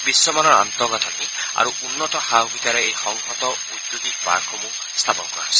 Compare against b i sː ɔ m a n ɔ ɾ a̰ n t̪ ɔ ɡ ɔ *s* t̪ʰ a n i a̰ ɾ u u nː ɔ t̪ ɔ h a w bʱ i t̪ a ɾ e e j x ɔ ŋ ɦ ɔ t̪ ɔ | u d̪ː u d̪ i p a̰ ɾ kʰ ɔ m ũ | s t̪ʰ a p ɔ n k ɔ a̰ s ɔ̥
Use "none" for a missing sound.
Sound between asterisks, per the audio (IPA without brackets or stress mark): none